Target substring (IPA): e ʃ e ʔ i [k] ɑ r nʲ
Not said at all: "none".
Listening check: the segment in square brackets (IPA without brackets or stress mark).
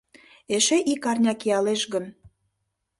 k